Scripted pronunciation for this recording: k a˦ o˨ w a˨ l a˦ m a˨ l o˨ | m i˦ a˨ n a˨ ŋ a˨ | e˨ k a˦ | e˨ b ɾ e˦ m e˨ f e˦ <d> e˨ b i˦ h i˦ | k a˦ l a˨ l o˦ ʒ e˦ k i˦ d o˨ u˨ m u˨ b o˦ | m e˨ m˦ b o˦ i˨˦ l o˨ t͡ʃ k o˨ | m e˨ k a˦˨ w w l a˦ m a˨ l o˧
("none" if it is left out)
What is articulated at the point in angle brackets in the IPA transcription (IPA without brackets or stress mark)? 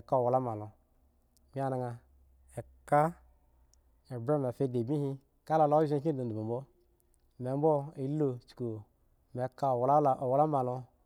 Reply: d